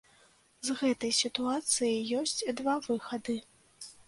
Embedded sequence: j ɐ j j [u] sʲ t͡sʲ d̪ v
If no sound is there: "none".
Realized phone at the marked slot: ɔ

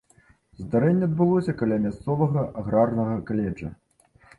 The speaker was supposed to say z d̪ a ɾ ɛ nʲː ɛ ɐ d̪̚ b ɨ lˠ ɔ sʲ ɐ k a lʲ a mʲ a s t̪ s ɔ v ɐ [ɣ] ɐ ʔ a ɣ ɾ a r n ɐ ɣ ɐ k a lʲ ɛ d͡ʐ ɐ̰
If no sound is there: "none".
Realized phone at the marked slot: ɣ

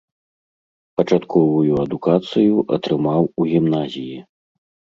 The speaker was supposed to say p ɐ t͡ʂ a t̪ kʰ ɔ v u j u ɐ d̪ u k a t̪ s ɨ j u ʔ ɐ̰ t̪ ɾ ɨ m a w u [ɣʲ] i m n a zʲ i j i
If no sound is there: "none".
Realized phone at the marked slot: ɣʲ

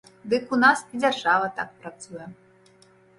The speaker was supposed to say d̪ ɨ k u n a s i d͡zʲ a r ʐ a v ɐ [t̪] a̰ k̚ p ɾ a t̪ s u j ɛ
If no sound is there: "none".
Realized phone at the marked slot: t̪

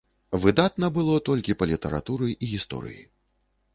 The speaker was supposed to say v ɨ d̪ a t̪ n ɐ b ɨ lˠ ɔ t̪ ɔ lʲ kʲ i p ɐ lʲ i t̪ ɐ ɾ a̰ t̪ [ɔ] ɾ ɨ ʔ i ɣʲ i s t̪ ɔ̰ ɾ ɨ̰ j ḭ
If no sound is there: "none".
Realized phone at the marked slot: u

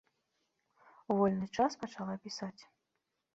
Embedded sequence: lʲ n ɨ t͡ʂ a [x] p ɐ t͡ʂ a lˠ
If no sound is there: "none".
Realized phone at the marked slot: s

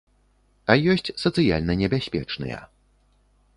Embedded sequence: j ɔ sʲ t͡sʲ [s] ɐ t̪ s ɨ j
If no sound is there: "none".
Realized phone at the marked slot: s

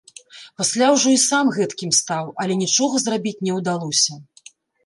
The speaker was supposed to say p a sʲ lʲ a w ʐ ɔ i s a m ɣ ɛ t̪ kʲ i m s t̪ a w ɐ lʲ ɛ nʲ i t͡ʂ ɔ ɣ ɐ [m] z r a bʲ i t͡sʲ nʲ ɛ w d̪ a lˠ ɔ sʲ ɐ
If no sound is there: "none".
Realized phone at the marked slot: none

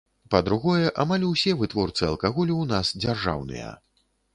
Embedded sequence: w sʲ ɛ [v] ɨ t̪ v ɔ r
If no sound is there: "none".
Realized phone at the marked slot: v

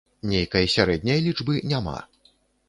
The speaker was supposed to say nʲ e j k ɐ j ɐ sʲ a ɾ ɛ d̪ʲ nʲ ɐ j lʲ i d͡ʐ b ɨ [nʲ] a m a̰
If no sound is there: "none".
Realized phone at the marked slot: nʲ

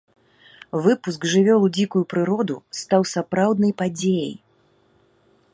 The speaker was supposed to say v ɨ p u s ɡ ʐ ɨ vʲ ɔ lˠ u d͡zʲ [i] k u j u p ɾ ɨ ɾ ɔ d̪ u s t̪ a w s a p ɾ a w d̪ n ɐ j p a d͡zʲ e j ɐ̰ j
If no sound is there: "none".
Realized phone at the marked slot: i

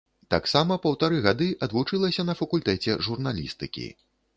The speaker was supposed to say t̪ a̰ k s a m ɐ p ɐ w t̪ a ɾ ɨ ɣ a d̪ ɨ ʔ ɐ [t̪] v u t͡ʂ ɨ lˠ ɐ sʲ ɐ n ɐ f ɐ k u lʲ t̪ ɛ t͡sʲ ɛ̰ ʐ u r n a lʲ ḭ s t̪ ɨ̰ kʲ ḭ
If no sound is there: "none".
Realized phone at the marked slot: d̪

